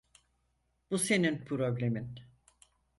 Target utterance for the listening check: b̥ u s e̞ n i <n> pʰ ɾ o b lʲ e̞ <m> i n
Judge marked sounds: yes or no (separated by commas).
yes, yes